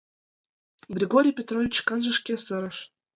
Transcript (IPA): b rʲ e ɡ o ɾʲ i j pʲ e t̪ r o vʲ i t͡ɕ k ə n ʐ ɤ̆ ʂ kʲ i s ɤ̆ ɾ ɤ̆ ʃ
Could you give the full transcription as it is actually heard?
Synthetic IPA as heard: b rʲ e ɡ o ɾʲ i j pʲ e t̪ r o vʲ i t͡ɕ k ɑ n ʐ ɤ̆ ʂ kʲ e s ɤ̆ ɾ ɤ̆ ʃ